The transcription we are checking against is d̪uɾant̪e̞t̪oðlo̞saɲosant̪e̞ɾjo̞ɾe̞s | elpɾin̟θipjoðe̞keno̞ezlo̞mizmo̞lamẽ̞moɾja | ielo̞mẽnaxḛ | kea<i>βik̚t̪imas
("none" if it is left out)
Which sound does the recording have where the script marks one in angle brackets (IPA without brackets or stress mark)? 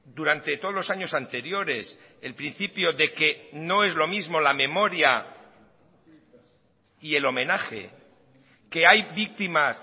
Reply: j